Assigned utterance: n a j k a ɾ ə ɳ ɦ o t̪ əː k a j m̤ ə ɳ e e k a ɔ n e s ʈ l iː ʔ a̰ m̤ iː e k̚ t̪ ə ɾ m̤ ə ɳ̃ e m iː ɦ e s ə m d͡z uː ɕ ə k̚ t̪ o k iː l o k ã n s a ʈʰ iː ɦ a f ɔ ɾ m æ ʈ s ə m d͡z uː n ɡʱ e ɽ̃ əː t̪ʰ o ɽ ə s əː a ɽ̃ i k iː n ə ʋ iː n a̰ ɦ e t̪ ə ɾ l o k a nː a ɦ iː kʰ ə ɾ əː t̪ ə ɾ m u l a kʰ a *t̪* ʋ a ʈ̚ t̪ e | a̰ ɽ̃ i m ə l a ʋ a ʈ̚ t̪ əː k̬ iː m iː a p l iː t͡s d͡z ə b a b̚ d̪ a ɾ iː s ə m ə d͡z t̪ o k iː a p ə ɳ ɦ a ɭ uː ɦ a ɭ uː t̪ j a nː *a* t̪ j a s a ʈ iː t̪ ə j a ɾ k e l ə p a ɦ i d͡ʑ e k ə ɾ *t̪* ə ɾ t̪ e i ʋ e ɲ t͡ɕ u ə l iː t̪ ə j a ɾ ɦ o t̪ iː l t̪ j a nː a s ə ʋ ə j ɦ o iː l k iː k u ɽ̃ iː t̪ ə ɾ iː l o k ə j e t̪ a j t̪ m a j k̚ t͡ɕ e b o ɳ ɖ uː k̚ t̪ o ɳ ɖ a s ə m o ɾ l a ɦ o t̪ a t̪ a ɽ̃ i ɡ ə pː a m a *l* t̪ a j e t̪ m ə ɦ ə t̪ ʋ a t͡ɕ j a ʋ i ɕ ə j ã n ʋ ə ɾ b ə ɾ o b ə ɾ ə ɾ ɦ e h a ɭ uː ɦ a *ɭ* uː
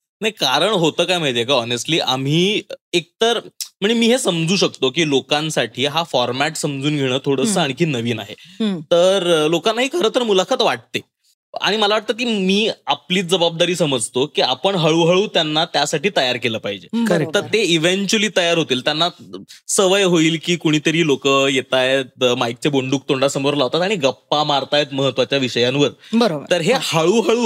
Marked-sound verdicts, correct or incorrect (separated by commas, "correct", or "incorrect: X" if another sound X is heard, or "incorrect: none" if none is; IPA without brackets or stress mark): correct, correct, correct, incorrect: ɾ, correct